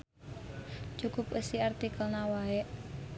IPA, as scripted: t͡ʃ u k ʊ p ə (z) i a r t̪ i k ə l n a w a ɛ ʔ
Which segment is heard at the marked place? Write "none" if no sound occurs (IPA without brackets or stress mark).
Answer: s